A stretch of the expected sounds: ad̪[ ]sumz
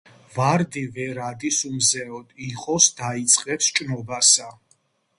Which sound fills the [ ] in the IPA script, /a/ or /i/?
i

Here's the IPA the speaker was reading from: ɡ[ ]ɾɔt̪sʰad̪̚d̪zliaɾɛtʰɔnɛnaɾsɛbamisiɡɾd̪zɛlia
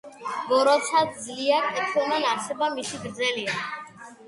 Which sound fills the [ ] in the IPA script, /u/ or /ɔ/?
ɔ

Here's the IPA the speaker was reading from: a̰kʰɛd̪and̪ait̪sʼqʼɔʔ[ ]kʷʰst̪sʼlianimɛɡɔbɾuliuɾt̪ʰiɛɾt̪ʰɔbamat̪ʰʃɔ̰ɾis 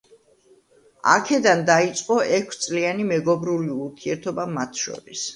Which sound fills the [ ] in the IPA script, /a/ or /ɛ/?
ɛ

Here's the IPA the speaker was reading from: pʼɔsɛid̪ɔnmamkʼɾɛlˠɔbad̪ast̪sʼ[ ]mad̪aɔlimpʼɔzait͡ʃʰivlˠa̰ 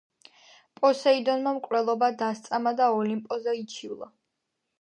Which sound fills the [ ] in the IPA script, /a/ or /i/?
a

